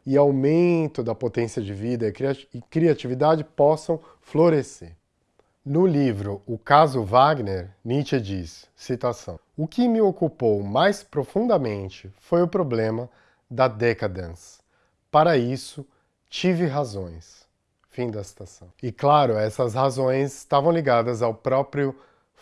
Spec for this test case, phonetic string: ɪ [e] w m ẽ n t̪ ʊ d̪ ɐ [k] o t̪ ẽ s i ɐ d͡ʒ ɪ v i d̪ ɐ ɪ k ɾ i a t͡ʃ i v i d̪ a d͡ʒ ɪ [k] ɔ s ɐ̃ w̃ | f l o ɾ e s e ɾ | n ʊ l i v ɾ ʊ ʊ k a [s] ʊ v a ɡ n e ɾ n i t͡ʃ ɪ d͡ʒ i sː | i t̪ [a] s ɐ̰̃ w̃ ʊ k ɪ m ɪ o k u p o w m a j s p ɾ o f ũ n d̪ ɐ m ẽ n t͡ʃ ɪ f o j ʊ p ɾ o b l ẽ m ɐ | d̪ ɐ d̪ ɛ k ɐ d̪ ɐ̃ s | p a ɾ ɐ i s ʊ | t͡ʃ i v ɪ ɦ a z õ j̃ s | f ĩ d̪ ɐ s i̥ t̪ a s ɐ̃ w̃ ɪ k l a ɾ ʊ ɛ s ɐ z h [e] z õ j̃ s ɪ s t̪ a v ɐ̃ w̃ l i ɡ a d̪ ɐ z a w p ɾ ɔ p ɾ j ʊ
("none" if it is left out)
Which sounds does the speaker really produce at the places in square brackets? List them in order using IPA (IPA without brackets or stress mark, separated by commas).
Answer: a, p, p, z, a, a